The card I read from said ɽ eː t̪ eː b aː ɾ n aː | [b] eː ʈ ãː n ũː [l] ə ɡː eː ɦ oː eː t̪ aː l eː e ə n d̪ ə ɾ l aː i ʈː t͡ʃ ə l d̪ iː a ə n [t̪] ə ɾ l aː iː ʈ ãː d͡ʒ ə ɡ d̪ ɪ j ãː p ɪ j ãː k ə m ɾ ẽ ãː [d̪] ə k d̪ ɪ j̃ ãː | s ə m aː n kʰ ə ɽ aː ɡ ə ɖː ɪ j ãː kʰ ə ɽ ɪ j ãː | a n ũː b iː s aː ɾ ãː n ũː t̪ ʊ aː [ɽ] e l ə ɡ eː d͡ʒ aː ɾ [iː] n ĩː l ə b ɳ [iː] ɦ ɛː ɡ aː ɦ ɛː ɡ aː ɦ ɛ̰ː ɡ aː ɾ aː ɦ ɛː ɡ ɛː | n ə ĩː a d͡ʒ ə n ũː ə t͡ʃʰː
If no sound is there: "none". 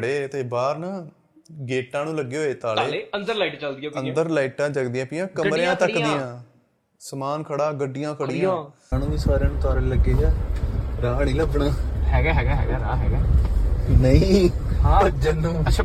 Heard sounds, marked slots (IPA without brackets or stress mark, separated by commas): ɡ, l, d̪, t̪, ɾ, aː, aː